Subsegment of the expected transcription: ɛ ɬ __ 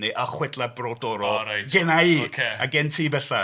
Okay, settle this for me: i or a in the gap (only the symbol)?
a